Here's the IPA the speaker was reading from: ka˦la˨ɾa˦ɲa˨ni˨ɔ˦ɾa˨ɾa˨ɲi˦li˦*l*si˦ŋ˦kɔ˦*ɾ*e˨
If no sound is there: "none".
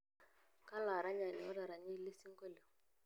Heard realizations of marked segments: none, l

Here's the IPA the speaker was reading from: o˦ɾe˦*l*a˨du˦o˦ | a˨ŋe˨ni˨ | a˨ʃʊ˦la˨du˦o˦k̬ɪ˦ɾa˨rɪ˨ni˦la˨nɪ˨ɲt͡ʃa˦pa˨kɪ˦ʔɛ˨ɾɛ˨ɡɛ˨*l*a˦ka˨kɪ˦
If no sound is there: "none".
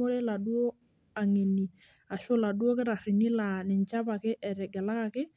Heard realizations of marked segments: l, l

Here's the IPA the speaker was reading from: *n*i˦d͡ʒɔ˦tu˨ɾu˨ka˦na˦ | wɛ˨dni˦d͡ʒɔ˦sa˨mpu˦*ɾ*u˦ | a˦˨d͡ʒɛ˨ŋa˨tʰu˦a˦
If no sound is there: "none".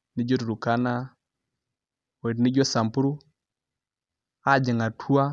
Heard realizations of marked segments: n, ɾ

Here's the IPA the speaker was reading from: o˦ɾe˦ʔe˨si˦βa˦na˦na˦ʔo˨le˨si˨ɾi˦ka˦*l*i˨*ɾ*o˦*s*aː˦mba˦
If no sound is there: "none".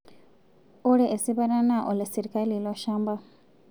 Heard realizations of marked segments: l, l, ʃ

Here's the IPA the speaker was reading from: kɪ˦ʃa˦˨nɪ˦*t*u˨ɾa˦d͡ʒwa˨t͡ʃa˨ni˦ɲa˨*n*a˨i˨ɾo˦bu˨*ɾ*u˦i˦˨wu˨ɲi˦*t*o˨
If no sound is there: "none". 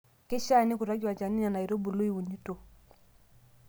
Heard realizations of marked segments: k, n, l, t

